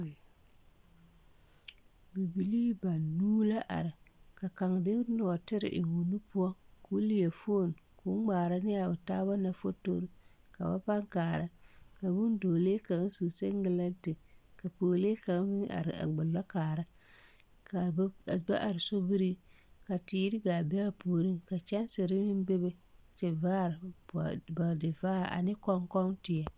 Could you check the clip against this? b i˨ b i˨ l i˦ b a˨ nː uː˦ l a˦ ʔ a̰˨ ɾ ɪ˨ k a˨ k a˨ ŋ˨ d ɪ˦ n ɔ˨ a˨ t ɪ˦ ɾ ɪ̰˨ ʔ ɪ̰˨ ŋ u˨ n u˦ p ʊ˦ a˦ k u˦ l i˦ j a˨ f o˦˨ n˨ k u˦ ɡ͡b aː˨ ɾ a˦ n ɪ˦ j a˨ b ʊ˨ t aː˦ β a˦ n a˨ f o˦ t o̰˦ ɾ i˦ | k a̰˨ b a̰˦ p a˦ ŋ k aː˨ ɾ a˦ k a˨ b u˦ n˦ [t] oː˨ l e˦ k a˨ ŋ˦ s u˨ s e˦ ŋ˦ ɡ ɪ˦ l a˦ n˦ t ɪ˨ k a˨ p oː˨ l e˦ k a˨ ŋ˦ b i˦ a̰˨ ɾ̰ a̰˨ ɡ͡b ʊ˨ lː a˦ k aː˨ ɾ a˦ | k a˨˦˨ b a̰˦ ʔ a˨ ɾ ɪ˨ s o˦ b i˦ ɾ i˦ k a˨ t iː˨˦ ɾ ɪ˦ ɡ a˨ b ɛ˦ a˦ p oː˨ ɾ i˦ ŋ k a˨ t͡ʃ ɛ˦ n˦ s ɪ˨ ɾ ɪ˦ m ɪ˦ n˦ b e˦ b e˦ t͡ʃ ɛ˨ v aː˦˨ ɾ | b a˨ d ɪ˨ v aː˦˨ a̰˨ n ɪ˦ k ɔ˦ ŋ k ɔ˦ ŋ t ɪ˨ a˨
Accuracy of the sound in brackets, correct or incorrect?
incorrect